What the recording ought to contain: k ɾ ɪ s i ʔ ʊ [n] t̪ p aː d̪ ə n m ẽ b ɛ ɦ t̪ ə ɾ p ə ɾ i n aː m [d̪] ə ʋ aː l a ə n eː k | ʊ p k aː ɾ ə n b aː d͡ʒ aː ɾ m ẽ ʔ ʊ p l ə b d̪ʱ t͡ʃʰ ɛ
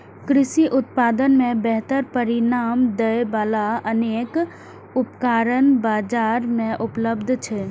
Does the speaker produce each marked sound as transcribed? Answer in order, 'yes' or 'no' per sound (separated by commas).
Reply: no, yes